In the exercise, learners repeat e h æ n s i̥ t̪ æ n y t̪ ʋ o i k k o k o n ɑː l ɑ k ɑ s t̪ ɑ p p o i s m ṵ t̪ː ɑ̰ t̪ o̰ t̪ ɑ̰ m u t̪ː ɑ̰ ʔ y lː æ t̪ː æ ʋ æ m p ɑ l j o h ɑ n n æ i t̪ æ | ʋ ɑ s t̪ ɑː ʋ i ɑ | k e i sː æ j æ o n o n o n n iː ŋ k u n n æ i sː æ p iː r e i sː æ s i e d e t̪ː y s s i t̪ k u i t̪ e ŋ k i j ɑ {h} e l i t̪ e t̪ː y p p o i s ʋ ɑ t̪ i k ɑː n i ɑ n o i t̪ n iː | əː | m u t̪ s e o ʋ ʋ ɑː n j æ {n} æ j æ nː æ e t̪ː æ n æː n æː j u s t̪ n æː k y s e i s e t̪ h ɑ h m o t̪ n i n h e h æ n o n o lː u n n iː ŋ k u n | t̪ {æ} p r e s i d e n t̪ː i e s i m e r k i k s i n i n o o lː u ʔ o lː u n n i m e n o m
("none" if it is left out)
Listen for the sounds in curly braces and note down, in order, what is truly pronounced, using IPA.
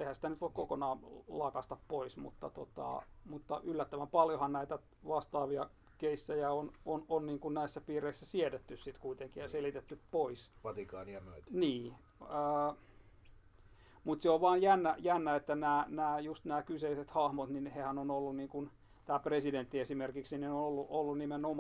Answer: s, nː, æː

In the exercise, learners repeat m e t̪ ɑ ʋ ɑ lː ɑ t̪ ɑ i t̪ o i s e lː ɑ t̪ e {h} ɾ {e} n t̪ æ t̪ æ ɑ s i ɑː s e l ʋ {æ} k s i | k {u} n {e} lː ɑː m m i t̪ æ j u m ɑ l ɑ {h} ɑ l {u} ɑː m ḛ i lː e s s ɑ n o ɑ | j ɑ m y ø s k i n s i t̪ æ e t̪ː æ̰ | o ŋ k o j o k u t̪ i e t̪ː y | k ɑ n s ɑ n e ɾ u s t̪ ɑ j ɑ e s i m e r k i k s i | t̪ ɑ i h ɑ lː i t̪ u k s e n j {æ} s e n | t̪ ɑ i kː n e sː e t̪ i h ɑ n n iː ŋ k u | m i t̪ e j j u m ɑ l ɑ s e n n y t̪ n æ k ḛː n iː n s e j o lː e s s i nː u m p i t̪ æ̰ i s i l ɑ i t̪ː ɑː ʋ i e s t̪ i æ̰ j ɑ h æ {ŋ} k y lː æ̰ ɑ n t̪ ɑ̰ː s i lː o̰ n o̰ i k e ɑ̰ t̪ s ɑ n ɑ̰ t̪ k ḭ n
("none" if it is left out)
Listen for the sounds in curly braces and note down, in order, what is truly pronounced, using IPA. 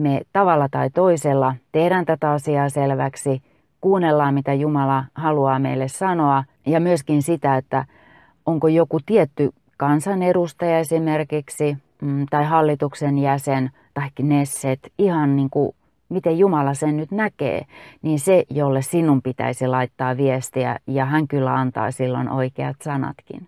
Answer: h, æ, æ, uː, e, h, u, æ, ŋ

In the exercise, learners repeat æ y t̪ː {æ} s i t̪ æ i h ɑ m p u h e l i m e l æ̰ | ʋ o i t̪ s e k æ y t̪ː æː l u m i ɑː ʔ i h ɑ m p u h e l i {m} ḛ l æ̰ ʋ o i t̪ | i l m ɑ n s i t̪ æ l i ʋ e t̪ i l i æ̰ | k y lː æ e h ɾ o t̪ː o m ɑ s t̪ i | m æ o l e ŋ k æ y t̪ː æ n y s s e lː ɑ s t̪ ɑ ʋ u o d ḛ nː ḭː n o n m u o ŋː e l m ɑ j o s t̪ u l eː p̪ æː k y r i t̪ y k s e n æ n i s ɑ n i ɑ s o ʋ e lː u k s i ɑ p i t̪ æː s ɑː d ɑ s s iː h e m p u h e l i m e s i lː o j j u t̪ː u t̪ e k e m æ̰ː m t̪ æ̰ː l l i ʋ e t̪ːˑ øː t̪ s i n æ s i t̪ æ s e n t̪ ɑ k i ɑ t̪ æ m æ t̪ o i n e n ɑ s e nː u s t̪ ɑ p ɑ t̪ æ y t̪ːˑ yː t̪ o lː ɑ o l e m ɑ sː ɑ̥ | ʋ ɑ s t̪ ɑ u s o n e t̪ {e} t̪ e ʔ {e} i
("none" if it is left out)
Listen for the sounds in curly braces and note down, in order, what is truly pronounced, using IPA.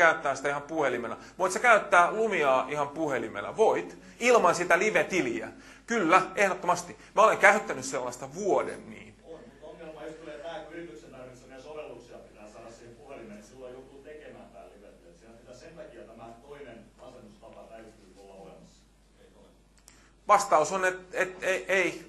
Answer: æː, m, e, e

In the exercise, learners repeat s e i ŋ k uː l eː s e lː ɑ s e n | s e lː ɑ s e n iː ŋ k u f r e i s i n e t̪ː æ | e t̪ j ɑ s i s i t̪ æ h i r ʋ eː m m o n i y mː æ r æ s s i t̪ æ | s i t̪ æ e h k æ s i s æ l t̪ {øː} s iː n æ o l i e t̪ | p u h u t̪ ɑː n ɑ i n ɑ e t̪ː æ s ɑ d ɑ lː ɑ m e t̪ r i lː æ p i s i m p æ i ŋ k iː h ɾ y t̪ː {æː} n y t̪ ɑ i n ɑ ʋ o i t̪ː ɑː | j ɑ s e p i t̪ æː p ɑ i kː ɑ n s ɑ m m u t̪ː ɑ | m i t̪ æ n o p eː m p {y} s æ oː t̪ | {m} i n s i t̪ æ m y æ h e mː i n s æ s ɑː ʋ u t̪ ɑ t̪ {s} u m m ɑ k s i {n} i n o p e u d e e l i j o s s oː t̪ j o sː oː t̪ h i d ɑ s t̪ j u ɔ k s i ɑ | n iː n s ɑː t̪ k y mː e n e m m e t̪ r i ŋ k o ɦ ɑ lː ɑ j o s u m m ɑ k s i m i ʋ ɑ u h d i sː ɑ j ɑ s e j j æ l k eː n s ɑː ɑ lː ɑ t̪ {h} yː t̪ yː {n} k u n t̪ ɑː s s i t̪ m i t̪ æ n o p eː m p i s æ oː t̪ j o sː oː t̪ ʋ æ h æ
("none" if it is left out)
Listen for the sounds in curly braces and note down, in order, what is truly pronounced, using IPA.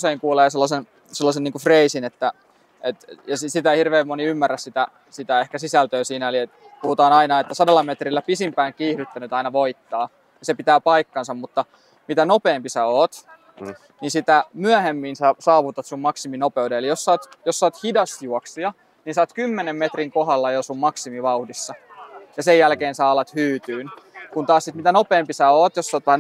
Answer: øː, æ, i, n, s, m, h, n

